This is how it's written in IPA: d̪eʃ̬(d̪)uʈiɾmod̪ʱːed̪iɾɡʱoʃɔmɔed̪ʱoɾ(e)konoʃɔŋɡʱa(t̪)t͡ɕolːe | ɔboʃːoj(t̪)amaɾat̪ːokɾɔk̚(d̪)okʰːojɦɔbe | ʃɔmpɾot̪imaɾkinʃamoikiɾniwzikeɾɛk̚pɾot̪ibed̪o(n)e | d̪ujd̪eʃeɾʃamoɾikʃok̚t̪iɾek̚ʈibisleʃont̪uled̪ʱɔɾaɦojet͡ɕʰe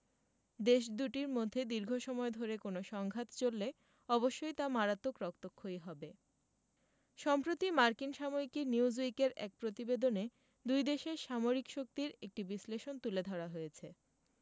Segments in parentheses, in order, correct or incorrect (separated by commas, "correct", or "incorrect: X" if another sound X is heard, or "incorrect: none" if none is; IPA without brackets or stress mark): correct, correct, correct, correct, incorrect: t̪, correct